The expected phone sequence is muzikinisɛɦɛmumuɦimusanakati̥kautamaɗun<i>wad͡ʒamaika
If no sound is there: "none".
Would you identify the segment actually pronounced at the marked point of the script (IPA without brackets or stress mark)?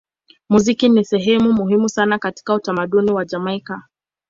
i